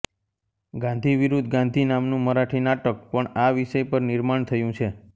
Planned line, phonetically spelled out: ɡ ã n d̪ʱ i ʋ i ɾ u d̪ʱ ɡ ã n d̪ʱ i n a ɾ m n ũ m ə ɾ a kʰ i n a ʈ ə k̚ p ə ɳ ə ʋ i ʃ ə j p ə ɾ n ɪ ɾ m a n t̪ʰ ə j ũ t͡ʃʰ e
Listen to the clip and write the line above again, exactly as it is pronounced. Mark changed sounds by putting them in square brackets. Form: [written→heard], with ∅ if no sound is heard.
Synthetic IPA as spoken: ɡ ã n d̪ʱ i ʋ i ɾ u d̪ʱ ɡ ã n d̪ʱ i n a [ɾ→∅] m n ũ m ə ɾ a [kʰ→ʈʰ] i n a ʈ ə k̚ p ə ɳ [ə→a] ʋ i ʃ ə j p ə ɾ n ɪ ɾ m a [n→ɳ] t̪ʰ ə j ũ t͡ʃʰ e